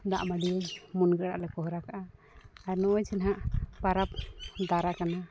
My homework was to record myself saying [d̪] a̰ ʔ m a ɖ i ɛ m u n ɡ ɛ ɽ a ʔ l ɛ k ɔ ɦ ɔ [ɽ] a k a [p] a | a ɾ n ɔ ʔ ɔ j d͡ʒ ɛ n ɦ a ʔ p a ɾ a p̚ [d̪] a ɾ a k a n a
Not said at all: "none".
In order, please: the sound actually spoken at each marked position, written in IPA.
d̪, ɾ, ʔ, d̪

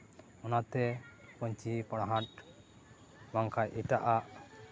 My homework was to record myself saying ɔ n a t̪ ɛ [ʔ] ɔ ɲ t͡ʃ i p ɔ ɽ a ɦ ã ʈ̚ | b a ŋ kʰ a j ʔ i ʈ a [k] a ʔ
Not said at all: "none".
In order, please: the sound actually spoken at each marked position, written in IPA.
p, ʔ

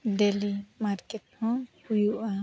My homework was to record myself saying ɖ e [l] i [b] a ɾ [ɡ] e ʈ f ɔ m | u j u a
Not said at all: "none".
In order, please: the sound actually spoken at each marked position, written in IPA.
l, m, k

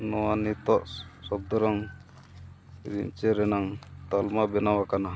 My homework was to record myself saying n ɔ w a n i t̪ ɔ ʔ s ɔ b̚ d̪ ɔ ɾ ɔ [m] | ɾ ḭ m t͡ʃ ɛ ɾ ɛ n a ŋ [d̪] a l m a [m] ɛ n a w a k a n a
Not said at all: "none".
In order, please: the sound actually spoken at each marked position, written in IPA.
ŋ, t̪, b

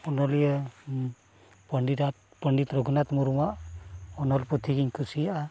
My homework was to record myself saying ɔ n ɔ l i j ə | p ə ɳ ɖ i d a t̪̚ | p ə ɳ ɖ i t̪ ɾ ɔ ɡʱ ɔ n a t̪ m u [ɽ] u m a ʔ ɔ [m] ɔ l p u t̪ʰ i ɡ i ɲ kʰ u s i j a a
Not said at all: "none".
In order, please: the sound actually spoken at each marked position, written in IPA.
ɾ, n

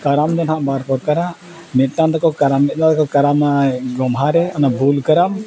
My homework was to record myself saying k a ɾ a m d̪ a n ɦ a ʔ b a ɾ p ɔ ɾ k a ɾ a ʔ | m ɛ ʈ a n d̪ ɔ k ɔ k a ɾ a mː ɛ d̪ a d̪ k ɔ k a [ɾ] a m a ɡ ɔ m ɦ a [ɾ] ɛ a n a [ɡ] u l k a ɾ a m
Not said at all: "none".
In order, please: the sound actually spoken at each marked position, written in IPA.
ɾ, ɾ, b

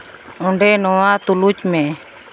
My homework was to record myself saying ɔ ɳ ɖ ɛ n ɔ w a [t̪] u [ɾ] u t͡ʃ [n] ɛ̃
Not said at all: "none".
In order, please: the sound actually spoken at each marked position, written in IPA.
t̪, l, m

